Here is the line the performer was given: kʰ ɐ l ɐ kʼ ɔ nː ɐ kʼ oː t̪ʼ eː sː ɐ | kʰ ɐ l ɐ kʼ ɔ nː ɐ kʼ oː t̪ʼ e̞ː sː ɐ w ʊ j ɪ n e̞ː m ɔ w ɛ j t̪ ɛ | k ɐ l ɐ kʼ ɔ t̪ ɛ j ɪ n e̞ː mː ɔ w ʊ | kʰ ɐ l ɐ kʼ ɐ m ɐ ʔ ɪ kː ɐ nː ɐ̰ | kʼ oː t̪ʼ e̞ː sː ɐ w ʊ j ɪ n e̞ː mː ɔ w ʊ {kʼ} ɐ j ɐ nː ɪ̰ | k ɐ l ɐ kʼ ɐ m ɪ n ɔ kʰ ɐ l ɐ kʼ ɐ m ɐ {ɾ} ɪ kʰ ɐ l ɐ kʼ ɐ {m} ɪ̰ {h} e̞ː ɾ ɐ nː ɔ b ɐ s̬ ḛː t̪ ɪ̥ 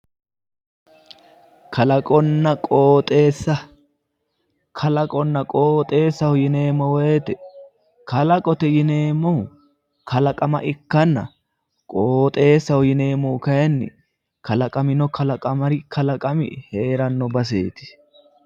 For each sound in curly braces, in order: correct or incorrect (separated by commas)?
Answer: incorrect, correct, correct, correct